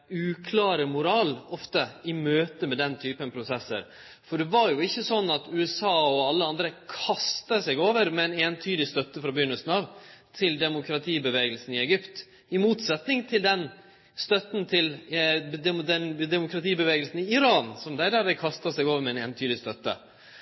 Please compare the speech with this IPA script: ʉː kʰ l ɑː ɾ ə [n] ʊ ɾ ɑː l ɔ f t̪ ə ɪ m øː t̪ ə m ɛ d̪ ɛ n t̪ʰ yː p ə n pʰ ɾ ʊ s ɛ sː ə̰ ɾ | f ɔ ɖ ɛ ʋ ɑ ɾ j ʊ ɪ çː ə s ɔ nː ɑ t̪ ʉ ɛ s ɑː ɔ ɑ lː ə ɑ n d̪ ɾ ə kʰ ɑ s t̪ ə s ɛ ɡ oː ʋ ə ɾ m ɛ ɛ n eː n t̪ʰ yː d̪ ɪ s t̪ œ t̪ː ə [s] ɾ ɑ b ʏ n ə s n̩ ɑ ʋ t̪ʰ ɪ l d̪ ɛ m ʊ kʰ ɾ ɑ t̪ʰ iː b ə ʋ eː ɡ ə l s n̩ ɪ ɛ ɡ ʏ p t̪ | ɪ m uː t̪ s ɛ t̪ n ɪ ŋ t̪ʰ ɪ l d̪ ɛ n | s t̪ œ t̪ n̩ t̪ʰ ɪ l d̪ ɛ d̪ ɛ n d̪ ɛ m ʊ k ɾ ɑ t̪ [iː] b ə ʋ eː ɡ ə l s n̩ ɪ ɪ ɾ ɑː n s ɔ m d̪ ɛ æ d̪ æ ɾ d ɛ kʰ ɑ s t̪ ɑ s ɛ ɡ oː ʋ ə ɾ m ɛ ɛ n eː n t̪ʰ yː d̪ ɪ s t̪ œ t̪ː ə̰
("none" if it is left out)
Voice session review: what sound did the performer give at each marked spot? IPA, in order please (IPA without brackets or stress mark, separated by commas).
m, f, iː